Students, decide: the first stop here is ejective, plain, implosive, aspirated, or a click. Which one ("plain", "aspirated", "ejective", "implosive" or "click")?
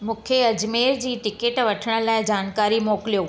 aspirated